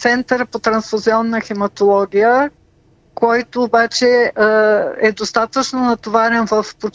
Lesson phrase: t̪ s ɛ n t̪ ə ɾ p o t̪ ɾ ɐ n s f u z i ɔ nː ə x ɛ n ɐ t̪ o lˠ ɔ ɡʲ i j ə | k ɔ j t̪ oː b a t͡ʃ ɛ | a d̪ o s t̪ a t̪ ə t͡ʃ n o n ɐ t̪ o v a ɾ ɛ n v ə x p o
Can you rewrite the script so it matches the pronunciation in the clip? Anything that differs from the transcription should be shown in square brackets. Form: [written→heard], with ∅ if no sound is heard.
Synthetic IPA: t̪ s ɛ n t̪ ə ɾ p o t̪ ɾ ɐ n s f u z i ɔ nː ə x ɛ [n→m] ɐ t̪ o lˠ ɔ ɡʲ i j ə | k ɔ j t̪ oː b a t͡ʃ ɛ | [a→ɛ] d̪ o s t̪ a t̪ ə t͡ʃ n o n ɐ t̪ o v a ɾ ɛ n v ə [x→f] p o